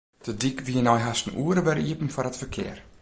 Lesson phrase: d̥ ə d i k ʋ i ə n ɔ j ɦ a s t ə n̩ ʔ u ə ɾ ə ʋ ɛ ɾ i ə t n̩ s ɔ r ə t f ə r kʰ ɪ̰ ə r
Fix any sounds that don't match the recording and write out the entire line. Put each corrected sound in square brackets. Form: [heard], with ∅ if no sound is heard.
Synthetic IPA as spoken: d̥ ə d i k ʋ i ə n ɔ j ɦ a s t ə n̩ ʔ u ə ɾ ə ʋ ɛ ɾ i ə [p] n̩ [f] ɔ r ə t f ə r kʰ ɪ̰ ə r

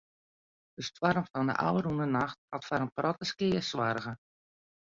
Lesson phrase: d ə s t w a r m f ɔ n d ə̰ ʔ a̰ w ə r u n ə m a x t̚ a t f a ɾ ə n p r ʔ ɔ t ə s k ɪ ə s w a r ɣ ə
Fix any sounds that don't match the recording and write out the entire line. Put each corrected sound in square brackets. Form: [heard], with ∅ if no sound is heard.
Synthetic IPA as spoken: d ə s t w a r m f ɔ n d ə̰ ʔ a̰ w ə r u n ə [n] a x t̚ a t f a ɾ ə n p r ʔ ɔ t ə s k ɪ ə s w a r ɣ ə

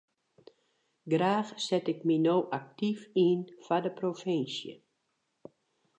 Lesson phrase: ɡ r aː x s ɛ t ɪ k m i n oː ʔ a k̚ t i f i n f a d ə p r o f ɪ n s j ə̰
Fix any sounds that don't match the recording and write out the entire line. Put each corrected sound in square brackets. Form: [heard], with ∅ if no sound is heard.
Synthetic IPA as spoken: ɡ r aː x s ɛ t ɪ k m i n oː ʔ a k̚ t i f i n f a d ə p r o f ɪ n s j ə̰

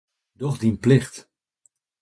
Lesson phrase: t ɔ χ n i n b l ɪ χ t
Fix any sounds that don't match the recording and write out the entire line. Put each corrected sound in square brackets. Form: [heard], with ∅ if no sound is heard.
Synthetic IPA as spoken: [d] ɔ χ [d] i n [p] l ɪ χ t

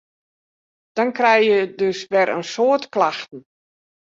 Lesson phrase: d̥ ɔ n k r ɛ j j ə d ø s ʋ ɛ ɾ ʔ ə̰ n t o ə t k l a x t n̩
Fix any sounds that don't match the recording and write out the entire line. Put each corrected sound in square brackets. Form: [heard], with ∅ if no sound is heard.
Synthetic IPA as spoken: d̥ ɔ n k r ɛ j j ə d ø s ʋ ɛ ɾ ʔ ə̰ n [s] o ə t k l a x t n̩

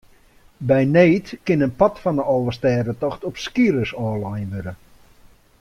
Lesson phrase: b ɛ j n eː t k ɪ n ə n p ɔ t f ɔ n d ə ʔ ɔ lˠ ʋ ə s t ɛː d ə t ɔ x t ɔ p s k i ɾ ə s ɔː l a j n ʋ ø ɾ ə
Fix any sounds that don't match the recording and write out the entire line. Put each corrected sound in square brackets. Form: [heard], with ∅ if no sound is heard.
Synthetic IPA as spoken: b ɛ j n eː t k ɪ n ə n p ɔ t f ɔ n d ə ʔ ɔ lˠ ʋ ə s t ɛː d ə t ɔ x t ɔ p s k i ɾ ə s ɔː l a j n ʋ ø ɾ ə

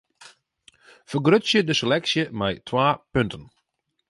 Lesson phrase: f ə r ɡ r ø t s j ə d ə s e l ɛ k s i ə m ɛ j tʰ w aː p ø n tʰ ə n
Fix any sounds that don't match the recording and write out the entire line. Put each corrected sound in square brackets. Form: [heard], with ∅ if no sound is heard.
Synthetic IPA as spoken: f ə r ɡ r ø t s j ə d ə s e l ɛ k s [j] ə m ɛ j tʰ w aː p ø n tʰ ə n

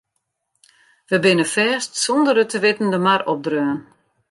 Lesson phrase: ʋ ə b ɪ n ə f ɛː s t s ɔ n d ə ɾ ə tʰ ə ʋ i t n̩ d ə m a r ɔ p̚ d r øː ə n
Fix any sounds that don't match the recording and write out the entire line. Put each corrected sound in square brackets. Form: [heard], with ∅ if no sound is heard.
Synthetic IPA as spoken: ʋ ə b ɪ n ə f ɛː s t s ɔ n d ə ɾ ə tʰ ə ʋ [ɪ] t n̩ d ə m a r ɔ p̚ d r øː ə n

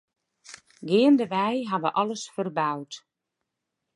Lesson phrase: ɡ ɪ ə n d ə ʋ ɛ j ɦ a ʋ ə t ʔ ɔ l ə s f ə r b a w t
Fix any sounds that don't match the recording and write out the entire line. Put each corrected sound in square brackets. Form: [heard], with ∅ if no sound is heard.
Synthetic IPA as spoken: ɡ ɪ ə n d ə ʋ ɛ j ɦ a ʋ ə [∅] ʔ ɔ l ə s f ə r b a w t

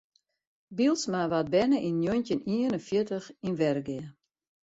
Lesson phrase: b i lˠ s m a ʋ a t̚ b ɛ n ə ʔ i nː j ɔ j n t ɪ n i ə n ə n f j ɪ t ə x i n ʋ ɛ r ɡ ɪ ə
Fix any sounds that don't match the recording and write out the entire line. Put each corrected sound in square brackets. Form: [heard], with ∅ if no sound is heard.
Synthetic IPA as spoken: b i lˠ s m a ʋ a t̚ b ɛ n ə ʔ i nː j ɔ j n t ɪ n i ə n ə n f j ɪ t ə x i n ʋ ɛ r ɡ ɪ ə

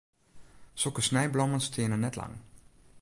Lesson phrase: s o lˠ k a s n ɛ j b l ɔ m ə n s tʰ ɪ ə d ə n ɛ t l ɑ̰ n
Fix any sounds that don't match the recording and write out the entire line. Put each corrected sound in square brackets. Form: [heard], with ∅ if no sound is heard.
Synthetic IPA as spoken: s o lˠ k [ə] s n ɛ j b l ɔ m ə n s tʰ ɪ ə [n] ə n ɛ t l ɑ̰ [ŋ]

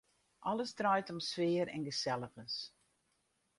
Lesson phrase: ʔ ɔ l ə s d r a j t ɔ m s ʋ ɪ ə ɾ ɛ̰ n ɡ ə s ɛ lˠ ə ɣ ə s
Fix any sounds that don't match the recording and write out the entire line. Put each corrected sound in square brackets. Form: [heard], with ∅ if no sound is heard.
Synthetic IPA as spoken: ʔ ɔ l ə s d r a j t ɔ m s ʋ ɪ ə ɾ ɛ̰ n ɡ ə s ɛ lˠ ə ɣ ə s

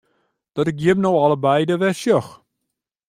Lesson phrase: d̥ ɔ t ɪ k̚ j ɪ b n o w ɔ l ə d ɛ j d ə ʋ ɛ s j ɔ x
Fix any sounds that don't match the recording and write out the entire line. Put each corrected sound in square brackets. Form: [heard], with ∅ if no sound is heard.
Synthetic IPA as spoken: d̥ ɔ t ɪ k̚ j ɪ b n o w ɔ l ə [b] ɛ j d ə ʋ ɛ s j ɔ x

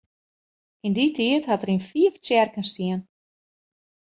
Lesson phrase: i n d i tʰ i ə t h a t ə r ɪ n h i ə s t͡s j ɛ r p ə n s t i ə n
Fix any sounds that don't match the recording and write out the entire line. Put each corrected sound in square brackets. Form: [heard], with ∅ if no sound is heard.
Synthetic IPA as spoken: i n d i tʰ i ə t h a t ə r [i] n [f] i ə [f] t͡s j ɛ r [k] ə n s t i ə n

